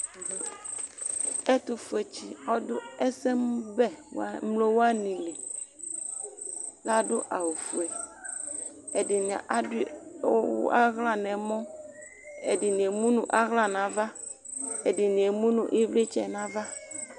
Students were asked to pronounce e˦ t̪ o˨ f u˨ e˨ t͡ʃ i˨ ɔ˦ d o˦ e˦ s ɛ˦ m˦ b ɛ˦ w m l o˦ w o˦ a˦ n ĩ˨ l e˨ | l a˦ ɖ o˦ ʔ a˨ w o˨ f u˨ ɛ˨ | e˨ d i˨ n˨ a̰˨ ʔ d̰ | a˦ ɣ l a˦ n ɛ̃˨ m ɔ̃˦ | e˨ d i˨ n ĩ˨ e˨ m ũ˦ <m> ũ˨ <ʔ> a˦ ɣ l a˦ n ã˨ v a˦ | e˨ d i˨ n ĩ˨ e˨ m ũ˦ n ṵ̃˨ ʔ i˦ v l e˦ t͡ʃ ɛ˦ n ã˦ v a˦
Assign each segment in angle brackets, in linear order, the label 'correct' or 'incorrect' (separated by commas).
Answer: incorrect, correct